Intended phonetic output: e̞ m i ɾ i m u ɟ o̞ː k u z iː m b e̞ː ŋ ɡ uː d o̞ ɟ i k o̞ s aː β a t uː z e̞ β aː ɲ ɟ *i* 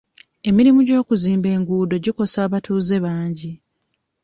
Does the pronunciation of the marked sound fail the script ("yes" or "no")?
no